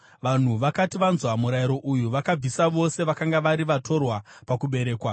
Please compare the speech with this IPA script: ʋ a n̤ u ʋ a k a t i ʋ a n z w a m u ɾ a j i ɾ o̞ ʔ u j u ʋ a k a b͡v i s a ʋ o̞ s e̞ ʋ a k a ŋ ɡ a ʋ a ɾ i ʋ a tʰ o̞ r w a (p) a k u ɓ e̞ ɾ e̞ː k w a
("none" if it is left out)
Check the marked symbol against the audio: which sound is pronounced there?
p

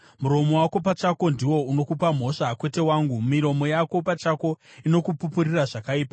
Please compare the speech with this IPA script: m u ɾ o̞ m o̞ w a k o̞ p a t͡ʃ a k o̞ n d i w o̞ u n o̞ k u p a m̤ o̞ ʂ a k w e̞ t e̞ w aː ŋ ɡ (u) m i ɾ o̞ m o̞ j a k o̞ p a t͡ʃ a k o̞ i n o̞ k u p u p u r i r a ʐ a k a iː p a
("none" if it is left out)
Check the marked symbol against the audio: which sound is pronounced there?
u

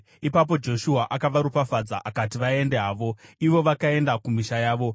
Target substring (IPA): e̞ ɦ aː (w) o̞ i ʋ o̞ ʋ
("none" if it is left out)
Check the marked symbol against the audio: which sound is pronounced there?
ʋ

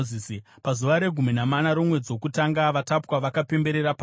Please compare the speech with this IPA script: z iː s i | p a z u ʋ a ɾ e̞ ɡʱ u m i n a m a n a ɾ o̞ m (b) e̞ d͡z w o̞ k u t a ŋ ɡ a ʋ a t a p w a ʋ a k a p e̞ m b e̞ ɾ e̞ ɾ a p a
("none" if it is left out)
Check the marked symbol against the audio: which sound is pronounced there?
w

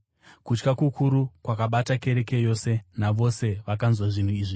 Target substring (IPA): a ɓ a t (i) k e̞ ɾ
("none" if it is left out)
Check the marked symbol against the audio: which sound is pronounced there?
a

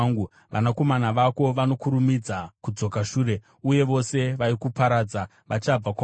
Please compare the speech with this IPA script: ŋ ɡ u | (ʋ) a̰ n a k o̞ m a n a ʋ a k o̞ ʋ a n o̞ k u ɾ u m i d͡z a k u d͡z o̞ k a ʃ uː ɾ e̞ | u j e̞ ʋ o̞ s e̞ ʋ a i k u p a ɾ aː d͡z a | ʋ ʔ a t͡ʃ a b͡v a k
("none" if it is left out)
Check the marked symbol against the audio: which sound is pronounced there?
ʋ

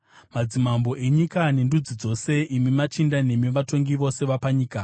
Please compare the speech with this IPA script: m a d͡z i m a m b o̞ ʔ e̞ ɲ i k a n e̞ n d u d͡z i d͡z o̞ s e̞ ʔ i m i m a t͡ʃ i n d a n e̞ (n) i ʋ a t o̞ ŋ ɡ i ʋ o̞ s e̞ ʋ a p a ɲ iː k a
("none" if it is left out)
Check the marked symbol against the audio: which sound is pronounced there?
m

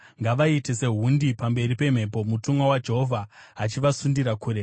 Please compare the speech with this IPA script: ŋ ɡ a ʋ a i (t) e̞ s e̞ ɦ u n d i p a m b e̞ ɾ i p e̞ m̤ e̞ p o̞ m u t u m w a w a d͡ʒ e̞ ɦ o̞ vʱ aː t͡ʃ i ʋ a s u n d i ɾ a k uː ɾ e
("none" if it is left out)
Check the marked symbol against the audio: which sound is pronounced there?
t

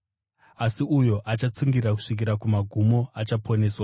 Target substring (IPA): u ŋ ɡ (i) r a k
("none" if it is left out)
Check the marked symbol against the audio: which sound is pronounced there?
i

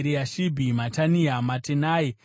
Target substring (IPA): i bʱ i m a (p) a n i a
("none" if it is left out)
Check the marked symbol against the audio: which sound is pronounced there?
t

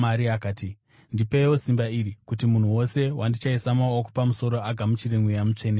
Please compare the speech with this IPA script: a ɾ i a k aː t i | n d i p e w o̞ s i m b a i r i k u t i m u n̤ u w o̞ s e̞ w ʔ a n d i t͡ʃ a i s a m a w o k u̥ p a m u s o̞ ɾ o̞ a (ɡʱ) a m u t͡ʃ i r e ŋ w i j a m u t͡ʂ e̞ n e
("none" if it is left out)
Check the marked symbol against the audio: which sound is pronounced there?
ɡʱ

